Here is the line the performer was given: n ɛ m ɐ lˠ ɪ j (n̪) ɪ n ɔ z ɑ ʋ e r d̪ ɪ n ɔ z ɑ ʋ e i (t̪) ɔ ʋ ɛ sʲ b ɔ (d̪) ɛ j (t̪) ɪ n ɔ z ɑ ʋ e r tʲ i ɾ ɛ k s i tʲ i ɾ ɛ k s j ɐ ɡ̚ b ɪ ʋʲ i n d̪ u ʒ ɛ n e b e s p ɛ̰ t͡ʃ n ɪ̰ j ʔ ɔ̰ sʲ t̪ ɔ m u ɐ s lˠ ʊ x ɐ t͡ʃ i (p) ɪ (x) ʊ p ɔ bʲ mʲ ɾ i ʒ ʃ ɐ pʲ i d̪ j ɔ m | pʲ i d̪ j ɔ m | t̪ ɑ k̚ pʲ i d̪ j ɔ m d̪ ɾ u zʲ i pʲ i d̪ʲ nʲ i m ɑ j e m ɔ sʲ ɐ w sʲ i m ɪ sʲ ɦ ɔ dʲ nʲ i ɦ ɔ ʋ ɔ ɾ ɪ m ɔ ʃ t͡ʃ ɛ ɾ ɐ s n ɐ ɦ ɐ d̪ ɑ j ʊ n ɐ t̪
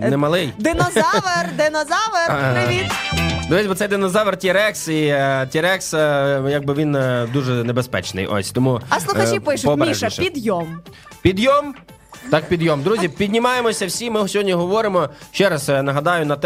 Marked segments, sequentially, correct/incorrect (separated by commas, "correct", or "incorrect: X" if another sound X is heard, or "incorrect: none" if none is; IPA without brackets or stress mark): incorrect: d̪, incorrect: d̪, incorrect: t̪, incorrect: d̪, correct, incorrect: ʃ